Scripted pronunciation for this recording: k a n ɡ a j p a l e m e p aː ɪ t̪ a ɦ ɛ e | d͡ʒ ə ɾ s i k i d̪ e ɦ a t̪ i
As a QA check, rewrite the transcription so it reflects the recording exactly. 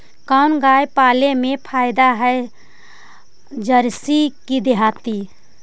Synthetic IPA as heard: k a n ɡ a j p a l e m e pʰ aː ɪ d̪ a ɦ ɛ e | d͡ʒ ə ɾ s i k i d̪ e ɦ a t̪ i